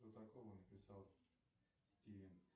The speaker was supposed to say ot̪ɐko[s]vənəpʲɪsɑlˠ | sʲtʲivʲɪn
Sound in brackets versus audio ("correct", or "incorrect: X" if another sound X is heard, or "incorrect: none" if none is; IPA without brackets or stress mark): incorrect: none